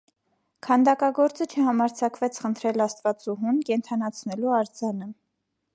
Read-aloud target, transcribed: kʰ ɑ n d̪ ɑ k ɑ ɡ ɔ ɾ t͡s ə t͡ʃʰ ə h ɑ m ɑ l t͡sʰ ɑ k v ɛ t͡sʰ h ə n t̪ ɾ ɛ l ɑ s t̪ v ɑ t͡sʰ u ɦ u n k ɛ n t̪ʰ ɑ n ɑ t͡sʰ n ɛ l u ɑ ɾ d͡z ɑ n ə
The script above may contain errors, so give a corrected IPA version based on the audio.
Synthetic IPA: kʰ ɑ n d̪ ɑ k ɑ ɡ ɔ ɾ t͡s ə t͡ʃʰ ə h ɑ m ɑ ɾ t͡sʰ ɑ k v ɛ t͡sʰ χ ə n t̪ʰ ɾ ɛ l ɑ s t̪ v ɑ t͡s u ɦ u n k ɛ n t̪ʰ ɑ n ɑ t͡sʰ n ɛ l u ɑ ɾ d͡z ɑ n ə